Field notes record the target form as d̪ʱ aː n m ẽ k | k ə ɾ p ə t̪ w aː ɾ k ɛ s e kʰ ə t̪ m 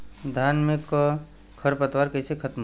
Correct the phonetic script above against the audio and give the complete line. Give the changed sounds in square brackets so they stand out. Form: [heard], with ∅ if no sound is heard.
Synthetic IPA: d̪ʱ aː n m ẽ k | [kʰ] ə ɾ p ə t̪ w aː ɾ k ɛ s e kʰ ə t̪ m